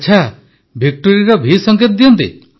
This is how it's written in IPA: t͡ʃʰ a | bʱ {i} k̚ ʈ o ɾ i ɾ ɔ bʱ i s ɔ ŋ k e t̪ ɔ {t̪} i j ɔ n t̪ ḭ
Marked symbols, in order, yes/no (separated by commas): yes, no